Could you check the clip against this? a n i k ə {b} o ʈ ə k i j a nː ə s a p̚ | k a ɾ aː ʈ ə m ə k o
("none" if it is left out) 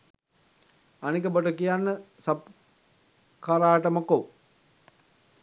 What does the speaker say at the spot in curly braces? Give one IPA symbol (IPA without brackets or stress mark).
b